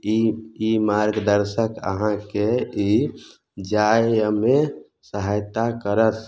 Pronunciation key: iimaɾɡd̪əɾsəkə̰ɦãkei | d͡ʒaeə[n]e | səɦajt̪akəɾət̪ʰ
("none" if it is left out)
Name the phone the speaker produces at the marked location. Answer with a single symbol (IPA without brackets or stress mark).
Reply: m